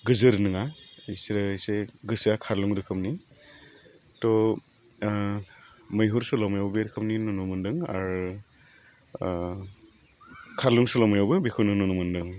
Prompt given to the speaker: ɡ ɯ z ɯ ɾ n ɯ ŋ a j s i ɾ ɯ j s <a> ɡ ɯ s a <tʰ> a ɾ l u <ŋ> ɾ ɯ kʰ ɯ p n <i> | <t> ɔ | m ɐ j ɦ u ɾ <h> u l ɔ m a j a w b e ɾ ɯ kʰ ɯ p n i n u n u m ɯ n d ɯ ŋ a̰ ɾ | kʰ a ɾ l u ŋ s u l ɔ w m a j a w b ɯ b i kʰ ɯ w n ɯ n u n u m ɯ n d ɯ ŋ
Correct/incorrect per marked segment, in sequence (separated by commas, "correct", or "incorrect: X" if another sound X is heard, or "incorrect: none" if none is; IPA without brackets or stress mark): incorrect: e, incorrect: kʰ, correct, correct, correct, incorrect: s